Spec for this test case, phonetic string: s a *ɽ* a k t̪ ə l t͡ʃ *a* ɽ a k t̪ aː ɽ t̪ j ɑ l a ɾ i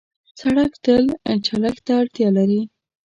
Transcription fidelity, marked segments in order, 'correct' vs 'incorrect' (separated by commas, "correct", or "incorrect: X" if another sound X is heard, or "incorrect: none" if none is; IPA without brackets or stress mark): correct, correct